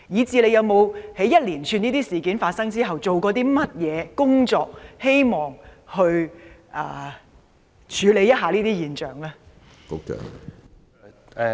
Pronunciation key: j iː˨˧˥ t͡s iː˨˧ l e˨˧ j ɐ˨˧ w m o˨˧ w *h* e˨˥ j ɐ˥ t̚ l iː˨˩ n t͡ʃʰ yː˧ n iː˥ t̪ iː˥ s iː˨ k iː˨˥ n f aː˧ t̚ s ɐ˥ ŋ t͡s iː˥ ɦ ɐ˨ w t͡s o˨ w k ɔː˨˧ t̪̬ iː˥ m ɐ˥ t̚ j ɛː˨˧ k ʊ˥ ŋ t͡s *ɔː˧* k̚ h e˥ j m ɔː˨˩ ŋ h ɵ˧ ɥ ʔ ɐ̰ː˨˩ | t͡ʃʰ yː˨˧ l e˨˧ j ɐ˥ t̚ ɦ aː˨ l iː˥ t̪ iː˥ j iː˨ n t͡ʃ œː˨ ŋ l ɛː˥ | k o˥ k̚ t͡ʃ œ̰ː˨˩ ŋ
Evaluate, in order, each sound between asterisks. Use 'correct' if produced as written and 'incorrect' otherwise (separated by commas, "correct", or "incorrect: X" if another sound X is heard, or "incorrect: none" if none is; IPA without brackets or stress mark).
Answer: correct, correct